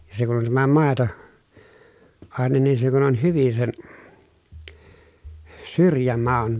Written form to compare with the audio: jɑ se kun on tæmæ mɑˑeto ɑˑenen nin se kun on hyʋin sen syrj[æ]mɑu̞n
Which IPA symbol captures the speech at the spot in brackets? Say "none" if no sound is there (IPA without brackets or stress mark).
æ